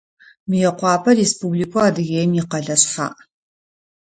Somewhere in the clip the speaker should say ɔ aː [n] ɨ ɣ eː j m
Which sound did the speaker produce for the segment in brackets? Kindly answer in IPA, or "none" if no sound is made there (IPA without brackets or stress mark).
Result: d